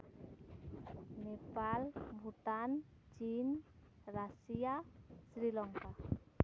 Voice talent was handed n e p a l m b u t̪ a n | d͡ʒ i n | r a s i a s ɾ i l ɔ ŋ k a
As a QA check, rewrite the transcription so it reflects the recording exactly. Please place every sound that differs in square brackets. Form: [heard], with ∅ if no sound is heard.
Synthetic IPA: n e p a l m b u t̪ a n | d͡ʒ i n | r a s i a s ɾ i l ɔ ŋ k a